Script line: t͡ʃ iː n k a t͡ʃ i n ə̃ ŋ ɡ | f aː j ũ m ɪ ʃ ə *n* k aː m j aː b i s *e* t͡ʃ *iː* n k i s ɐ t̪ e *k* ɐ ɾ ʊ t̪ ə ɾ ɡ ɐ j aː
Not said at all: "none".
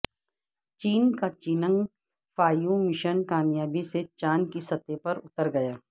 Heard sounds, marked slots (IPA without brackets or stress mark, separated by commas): n, e, aː, p